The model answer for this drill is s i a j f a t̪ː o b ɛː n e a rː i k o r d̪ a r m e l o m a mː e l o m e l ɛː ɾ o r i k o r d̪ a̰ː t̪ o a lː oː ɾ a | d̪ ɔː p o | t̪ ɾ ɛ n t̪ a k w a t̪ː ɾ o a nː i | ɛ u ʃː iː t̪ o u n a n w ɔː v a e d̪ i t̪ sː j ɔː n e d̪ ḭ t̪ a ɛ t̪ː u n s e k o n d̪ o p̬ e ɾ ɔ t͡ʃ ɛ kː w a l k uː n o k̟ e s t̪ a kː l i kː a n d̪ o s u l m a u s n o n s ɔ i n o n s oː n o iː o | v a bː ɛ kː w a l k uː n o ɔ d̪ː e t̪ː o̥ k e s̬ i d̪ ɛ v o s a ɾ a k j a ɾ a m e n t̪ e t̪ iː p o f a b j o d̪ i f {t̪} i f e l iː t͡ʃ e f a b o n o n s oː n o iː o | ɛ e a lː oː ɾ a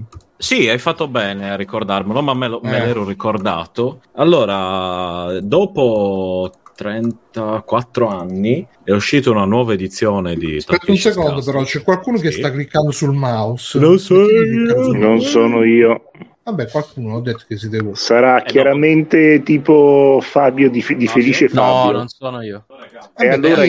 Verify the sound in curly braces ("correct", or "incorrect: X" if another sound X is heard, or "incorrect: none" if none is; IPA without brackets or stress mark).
incorrect: d̪